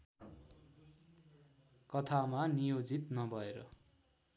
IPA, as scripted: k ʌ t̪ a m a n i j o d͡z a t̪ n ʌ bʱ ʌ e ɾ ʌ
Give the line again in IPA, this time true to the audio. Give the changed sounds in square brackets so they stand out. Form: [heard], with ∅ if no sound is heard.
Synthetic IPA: k ʌ [t̪ʰ] a m a n i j o d͡z [i] t̪ n ʌ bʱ ʌ e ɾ ʌ